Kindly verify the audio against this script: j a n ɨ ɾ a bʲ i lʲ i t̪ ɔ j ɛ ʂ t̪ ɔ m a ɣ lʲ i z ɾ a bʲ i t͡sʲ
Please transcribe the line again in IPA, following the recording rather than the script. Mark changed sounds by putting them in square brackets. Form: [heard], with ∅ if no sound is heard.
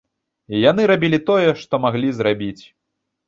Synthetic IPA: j a n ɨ ɾ a bʲ i lʲ i t̪ ɔ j ɛ ʂ t̪ ɔ m a ɣ lʲ i z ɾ a bʲ i t͡sʲ